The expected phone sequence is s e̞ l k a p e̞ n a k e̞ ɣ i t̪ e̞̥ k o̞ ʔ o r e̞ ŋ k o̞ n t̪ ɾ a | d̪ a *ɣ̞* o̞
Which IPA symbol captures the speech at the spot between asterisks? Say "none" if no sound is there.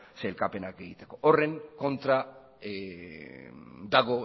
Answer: ɣ̞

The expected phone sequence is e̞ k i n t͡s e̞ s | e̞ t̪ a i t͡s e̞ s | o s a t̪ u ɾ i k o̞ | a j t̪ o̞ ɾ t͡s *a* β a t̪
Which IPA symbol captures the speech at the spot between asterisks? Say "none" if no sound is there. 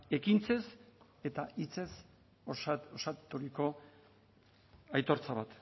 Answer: a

